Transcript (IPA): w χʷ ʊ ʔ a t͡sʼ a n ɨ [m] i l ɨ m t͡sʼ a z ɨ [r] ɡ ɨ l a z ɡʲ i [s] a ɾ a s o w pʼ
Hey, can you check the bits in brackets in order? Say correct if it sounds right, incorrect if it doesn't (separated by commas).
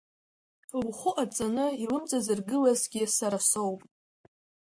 incorrect, correct, correct